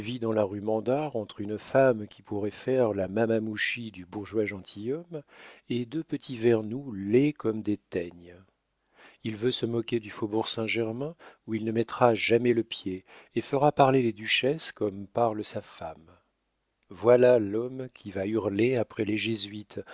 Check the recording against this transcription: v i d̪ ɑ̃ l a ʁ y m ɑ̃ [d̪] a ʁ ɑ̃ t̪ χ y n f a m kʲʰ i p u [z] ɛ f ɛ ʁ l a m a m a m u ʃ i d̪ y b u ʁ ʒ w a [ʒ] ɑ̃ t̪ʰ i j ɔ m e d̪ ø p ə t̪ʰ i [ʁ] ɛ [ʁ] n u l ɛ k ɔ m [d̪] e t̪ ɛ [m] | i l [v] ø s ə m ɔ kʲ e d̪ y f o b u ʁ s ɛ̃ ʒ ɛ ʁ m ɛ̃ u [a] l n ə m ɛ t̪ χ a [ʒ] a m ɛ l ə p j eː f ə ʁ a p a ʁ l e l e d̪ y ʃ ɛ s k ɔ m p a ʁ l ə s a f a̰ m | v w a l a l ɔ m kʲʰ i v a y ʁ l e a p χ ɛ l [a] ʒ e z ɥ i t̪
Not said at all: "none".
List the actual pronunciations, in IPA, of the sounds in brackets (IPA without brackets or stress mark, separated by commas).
d̪, ʁ, ʒ, v, ʁ, d̪, ɲ, v, i, ʒ, e